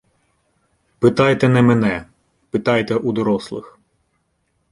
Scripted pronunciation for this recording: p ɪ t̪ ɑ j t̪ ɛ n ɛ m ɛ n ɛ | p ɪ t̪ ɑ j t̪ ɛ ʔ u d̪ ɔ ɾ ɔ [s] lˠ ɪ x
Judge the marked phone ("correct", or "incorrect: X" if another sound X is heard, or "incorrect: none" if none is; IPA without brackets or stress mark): correct